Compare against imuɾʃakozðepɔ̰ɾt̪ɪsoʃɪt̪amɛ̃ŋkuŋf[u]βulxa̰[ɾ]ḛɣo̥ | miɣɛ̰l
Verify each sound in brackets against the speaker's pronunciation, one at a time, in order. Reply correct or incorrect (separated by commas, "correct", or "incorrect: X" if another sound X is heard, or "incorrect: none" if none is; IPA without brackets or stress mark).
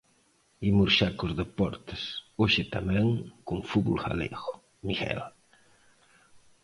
correct, incorrect: l